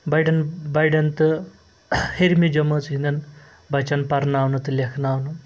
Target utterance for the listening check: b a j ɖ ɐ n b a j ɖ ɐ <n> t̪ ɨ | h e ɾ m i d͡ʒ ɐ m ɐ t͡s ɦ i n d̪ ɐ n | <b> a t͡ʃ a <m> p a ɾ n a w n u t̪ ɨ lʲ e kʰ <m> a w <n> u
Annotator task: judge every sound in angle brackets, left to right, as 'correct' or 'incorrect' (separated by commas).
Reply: correct, correct, incorrect, incorrect, correct